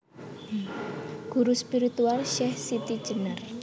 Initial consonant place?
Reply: velar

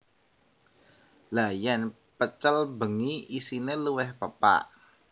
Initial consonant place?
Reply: alveolar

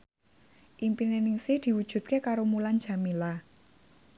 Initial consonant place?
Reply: glottal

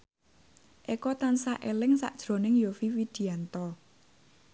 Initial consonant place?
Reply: glottal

